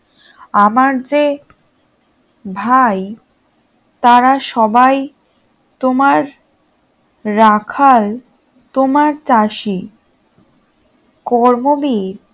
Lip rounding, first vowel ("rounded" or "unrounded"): unrounded